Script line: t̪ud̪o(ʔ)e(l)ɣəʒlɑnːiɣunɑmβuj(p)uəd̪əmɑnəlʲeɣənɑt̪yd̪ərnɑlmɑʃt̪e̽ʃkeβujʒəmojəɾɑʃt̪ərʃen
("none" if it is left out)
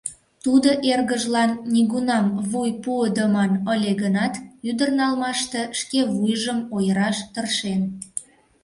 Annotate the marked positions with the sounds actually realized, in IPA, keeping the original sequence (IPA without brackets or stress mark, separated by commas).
ʔ, r, p